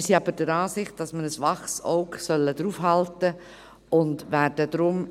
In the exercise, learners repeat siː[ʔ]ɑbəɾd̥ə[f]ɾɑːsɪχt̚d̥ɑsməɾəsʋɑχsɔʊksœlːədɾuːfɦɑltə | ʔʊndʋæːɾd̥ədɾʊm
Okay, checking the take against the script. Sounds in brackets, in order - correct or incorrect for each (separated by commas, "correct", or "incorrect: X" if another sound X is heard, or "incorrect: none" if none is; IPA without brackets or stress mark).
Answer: incorrect: none, incorrect: none